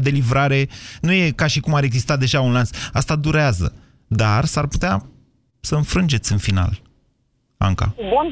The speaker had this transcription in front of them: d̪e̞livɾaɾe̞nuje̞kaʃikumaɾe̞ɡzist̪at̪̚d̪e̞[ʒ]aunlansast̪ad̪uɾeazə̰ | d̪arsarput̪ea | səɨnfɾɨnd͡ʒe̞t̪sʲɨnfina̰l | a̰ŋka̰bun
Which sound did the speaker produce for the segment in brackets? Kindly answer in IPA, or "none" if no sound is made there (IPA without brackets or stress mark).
ʒ